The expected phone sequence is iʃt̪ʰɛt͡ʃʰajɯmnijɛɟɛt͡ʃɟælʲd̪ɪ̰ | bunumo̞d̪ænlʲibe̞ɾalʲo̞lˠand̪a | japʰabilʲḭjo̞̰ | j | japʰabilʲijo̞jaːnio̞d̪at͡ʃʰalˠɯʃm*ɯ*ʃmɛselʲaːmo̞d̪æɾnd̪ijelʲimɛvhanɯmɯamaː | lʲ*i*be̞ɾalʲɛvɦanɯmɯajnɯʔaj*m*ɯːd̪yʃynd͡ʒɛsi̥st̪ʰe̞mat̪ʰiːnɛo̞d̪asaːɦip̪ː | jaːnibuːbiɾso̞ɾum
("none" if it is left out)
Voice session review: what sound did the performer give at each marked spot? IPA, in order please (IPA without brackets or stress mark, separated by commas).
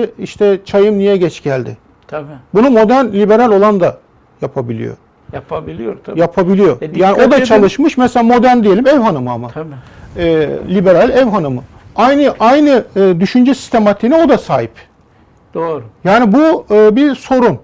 ɯ, i, n